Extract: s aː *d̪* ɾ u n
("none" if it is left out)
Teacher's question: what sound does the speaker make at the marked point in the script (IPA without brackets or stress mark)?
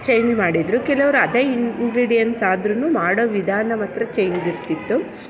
d̪